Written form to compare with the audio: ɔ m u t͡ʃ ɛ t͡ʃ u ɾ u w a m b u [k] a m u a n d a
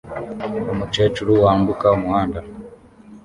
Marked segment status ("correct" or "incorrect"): correct